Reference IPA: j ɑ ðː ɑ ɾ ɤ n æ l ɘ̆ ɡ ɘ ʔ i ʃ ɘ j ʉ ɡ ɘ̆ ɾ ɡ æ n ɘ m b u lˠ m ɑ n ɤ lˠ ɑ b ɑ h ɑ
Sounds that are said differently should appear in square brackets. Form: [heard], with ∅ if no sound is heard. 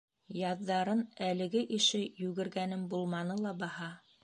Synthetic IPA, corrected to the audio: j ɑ ðː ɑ ɾ ɤ n æ l ɘ̆ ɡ ɘ ʔ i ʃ ɘ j ʉ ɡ ɘ̆ ɾ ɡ æ n ɘ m b u lˠ m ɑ n ɤ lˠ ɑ b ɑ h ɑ